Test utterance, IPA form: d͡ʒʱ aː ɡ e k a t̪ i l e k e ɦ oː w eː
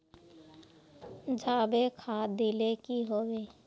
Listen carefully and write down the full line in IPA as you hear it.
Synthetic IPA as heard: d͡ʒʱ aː b e kʰ a d̪ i l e k i ɦ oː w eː